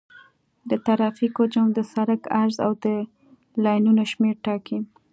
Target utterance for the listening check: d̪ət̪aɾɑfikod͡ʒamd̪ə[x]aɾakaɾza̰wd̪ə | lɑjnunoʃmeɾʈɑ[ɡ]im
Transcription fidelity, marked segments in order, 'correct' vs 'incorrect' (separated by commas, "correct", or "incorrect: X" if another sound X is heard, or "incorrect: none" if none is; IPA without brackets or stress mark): incorrect: s, incorrect: k